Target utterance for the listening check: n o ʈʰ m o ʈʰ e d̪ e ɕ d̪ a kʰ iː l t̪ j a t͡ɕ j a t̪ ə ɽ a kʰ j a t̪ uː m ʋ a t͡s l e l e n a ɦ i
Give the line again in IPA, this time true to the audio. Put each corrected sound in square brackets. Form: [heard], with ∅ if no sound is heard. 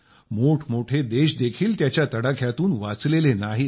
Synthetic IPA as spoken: [m] o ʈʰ m o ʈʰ e d̪ e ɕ d̪ [e] kʰ iː l t̪ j a t͡ɕ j a t̪ ə ɽ a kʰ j a t̪ uː [n] ʋ a t͡s l e l e n a ɦ i

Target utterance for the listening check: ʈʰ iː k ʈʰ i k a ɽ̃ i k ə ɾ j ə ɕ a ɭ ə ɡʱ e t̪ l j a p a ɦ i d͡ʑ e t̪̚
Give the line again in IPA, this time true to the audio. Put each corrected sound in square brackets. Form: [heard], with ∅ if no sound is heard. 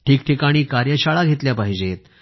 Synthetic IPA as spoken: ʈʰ iː k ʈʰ i k a ɽ̃ [iː] k [a] ɾ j ə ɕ a ɭ [a] ɡʱ e t̪ l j a p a ɦ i d͡ʑ e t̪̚

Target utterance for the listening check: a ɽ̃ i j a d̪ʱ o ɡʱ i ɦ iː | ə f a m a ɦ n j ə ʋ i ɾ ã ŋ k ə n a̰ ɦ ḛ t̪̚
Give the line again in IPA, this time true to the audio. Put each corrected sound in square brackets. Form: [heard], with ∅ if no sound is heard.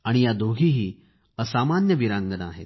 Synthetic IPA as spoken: a ɽ̃ i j a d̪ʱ o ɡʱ i ɦ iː | ə [s] a m a [∅] n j ə ʋ i ɾ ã ŋ [ɡ] ə n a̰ ɦ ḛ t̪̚

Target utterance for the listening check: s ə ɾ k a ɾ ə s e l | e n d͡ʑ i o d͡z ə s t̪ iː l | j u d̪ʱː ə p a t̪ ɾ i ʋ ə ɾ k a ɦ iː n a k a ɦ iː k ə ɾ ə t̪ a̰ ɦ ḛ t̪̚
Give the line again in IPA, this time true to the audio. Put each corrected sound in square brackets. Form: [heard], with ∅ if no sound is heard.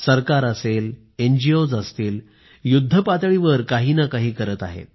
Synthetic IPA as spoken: s ə ɾ k a ɾ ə s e l | e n d͡ʑ i o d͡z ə s t̪ iː l | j u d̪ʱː ə p a t̪ [ɭ] i ʋ ə ɾ k a ɦ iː n a k a ɦ iː k ə ɾ ə t̪ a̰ ɦ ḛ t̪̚

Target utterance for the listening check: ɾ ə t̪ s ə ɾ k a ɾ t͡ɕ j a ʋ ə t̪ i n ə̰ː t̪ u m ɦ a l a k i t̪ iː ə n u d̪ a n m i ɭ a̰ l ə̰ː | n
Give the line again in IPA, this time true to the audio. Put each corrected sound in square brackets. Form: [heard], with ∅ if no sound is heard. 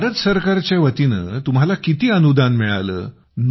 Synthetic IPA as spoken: ɾ ə t̪ s ə ɾ k a ɾ t͡ɕ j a ʋ ə t̪ i n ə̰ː t̪ u m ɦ a l a k i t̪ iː ə n u d̪ a n m i ɭ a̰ l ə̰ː | n

